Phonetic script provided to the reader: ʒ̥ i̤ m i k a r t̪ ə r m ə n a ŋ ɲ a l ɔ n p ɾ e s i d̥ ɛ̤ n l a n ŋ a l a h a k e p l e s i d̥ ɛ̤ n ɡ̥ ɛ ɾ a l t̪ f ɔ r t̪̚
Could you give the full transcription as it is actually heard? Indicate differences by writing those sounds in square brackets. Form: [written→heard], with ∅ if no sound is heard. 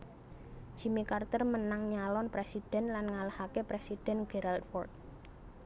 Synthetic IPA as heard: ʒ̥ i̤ m i k a r t̪ ə r m ə n a ŋ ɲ a l ɔ n p ɾ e s i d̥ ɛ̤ n l a n ŋ a l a h a k e p [l→ɾ] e s i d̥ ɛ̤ n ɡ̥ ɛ ɾ a l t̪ f ɔ r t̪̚